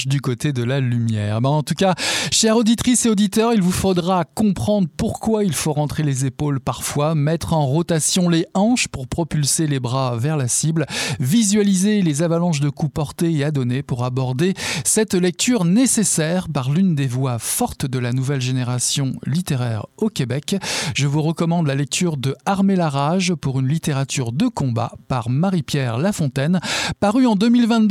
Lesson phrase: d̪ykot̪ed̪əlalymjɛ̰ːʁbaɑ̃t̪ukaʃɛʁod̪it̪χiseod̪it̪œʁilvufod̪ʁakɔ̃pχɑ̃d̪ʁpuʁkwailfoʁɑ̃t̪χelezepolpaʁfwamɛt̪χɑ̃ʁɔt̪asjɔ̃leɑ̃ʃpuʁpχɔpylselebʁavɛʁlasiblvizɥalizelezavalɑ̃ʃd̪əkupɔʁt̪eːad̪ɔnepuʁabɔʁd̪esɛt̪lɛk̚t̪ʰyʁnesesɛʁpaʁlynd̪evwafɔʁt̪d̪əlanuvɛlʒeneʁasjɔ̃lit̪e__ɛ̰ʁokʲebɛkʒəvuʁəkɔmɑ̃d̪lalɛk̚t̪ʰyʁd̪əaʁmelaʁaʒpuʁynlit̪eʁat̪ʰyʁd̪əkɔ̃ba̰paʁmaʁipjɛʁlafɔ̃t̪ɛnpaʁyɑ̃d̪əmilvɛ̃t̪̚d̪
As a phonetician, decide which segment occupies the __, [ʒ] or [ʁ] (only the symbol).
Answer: ʁ